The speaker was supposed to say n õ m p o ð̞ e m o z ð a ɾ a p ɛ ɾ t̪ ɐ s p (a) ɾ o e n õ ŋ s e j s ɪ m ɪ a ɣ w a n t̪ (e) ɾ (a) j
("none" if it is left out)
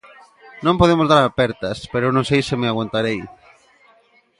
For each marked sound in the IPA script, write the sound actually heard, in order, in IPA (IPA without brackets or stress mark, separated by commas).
e, a, e